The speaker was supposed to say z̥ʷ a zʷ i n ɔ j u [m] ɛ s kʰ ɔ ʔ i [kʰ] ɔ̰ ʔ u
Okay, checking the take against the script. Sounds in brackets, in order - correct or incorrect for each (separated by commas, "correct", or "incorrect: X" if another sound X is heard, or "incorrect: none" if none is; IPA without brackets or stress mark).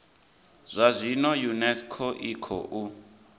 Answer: incorrect: n, correct